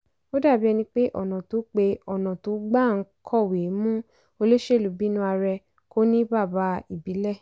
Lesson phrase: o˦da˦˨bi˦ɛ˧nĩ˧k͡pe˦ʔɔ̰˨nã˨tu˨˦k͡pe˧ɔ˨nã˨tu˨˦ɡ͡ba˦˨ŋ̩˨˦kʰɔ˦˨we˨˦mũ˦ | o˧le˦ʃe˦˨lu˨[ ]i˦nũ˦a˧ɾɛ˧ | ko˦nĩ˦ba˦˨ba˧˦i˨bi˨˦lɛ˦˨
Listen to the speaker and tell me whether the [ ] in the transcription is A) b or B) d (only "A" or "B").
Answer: A